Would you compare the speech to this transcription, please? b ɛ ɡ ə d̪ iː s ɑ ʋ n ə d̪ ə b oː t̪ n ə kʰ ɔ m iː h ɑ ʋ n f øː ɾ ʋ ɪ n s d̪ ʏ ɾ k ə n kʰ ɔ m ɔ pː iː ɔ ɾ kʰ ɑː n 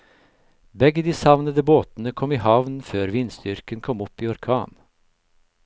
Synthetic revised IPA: b ɛ ɡ ə d̪ iː s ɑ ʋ n ə d̪ ə b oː t̪ n ə kʰ ɔ m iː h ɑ ʋ n f øː ɾ ʋ ɪ n s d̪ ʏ ɾ k ə n kʰ ɔ m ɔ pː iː ɔ ɾ kʰ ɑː n